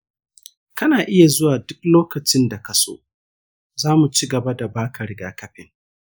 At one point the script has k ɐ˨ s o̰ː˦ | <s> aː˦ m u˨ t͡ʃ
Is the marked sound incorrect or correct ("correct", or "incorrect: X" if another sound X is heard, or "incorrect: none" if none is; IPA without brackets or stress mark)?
incorrect: z